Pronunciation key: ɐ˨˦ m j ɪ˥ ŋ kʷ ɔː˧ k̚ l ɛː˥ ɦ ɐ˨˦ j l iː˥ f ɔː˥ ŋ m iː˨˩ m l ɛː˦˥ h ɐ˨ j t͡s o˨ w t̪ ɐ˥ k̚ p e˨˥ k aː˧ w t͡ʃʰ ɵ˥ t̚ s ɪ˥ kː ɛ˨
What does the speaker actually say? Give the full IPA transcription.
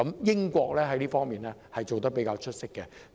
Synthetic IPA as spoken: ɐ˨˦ m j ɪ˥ ŋ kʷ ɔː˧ k̚ l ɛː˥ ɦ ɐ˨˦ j l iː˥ f ɔː˥ ŋ m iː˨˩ n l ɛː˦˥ h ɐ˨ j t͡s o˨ w t̪ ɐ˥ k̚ p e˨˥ k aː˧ w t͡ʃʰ ɵ˥ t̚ s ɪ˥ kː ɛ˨

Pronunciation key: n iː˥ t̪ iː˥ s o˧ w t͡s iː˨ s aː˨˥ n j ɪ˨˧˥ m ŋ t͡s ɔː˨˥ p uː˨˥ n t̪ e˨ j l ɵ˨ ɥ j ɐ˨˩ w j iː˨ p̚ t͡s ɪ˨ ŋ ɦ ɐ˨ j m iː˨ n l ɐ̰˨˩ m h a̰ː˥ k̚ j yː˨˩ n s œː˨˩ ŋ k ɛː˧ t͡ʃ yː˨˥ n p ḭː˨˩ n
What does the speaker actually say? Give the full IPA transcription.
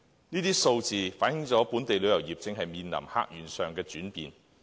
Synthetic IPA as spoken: n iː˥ t̪ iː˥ s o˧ w t͡s iː˨ f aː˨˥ n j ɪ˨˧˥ ŋ t͡s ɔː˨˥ p uː˨˥ n t̪ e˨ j l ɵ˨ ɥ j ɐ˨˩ w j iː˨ p̚ t͡s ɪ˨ ŋ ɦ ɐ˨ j m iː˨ n l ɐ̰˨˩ m h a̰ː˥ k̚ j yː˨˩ n s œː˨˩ ŋ k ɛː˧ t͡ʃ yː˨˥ n p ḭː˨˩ n

